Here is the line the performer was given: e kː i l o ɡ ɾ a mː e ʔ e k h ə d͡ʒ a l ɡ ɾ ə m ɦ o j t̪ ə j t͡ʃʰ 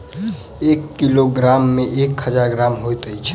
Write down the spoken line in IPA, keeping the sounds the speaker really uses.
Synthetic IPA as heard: e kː i l o ɡ ɾ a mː e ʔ e k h ə d͡ʒ a ɾ ɡ ɾ a m ɦ o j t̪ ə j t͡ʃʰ